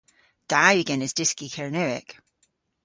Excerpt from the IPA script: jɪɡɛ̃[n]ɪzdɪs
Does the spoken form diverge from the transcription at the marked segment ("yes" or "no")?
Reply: no